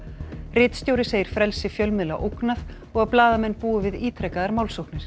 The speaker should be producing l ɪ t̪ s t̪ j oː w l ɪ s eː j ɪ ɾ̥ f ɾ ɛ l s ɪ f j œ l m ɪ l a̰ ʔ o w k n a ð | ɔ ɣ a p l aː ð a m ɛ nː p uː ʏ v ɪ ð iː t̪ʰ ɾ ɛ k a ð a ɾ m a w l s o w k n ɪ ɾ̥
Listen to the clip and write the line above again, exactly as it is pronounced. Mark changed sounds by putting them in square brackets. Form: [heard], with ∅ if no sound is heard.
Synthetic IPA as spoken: [r] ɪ t̪ s t̪ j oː w [ɾ] ɪ s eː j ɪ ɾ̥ f ɾ ɛ l s ɪ f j œ l m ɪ l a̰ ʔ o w k n a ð | ɔ ɣ a p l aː ð a m ɛ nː p uː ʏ v ɪ ð iː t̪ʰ ɾ ɛ k a ð a ɾ m a w l s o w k n ɪ ɾ̥